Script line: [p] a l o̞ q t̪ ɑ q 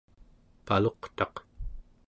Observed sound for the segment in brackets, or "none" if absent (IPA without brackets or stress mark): p